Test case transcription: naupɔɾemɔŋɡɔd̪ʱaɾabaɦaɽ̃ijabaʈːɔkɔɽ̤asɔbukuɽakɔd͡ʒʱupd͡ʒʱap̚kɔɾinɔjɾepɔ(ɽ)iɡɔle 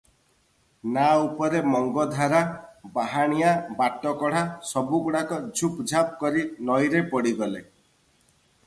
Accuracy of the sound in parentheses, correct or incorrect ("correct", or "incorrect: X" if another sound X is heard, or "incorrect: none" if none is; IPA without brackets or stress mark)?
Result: correct